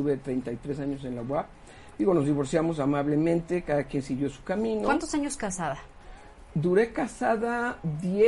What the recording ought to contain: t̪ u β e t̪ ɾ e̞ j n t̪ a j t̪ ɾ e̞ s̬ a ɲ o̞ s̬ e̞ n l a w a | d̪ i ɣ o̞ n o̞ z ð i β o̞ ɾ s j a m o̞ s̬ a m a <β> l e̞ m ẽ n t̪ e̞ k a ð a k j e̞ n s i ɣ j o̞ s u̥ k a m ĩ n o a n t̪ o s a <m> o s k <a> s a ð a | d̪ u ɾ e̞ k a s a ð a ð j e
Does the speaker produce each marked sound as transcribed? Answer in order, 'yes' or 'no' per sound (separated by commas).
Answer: yes, no, yes